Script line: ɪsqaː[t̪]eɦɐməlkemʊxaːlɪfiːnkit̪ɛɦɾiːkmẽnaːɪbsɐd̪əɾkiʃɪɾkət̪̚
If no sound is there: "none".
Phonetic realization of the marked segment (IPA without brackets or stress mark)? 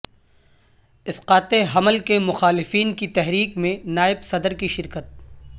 t̪